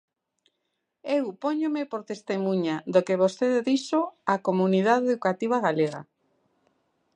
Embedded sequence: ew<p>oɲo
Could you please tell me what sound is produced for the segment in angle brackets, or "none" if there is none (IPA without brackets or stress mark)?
p